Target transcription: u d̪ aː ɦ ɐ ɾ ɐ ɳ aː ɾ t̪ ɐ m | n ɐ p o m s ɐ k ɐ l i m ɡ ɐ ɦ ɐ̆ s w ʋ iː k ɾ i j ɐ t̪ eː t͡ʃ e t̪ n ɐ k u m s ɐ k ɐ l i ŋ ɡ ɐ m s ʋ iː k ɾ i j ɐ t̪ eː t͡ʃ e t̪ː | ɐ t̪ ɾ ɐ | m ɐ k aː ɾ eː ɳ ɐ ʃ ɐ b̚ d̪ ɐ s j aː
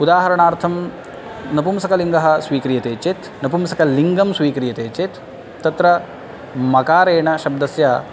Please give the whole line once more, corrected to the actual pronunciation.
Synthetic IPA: u d̪ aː ɦ ɐ ɾ ɐ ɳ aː ɾ t̪ʰ ɐ m | n ɐ p u m s ɐ k ɐ l i ŋ ɡ ɐ ɦ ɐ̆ s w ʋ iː k ɾ i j ɐ t̪ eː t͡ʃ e t̪ n ɐ p u m s ɐ k ɐ l i ŋ ɡ ɐ m s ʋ iː k ɾ i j ɐ t̪ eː t͡ʃ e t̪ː | ɐ t̪ ɾ ɐ | m ɐ k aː ɾ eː ɳ ɐ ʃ ɐ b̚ d̪ ɐ s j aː

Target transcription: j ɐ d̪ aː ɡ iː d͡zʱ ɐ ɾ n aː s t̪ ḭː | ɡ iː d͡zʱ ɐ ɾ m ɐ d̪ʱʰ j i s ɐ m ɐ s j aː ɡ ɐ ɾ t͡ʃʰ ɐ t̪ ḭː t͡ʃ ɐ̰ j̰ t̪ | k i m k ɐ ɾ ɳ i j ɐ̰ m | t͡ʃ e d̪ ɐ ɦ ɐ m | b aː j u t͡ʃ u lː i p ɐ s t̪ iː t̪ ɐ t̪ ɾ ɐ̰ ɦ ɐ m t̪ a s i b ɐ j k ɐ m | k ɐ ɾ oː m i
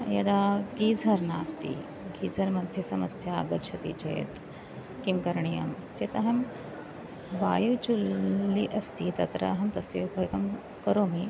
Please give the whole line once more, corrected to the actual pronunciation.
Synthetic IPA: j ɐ d̪ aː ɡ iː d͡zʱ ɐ ɾ n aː s t̪ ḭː | ɡ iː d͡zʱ ɐ ɾ m ɐ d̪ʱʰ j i s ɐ m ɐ s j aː ɡ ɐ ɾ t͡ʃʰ ɐ t̪ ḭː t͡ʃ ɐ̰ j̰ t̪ | k i m k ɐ ɾ ɳ i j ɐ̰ m | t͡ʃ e t̪ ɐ ɦ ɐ m | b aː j u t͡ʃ u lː i ʔ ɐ s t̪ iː t̪ ɐ t̪ ɾ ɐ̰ ɦ ɐ m t̪ ɐ s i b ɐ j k ɐ m | k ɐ ɾ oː m i

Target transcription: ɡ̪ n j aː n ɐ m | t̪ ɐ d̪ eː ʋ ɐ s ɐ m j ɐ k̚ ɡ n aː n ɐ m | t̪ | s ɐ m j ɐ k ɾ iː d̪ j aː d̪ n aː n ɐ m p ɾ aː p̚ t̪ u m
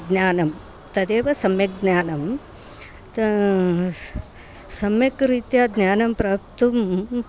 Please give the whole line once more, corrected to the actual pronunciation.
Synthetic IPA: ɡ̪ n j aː n ɐ m | t̪ ɐ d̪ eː ʋ ɐ s ɐ m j ɐ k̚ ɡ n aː n ɐ m | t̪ | s ɐ m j ɐ k ɾ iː t̪ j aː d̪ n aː n ɐ m p ɾ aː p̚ t̪ u m

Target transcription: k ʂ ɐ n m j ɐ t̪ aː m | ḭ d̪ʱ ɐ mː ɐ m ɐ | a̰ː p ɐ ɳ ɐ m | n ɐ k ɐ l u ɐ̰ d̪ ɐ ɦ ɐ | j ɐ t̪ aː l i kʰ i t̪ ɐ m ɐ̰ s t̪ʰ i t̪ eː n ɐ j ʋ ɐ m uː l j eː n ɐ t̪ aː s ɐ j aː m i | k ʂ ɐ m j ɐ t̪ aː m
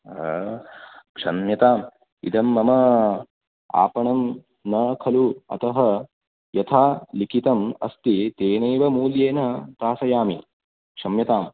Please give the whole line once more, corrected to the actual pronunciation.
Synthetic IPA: k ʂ ɐ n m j ɐ t̪ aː m | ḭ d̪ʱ ɐ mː ɐ m ɐ | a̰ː p ɐ ɳ ɐ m | n ɐ kʰ ɐ l u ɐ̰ t̪ ɐ ɦ ɐ | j ɐ t̪ʰ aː l i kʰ i t̪ ɐ m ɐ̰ s t̪ i t̪ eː n ɐ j ʋ ɐ m uː l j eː n ɐ t̪ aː s ɐ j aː m i | k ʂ ɐ m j ɐ t̪ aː m

